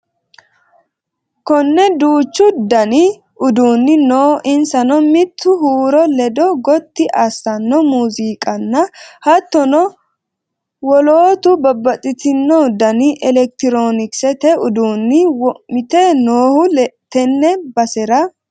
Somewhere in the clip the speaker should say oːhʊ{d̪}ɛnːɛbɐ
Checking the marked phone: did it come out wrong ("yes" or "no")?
yes